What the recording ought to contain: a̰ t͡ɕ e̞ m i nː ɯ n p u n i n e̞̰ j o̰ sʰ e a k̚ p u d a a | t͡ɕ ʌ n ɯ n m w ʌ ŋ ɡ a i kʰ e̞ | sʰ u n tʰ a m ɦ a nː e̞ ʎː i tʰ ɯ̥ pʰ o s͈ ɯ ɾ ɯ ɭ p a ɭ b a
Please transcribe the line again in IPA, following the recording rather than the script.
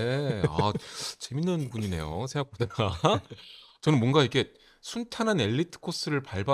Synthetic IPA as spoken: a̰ t͡ɕ e̞ m i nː ɯ n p u ɲ i n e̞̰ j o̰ sʰ e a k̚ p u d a a | t͡ɕ ʌ n ɯ n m w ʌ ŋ ɡ a i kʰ e̞ | sʰ u n tʰ a n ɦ a n e̞ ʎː i tʰ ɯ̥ kʰ o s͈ ɯ ɾ ɯ ɭ p a ɭ b a